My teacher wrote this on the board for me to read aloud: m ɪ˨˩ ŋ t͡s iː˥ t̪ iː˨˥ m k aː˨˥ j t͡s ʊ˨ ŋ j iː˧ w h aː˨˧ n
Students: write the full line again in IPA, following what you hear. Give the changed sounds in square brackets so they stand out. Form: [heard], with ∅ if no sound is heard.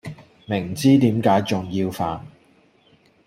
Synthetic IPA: m ɪ˨˩ ŋ t͡s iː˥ t̪ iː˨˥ m k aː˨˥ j t͡s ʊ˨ ŋ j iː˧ w [f] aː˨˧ n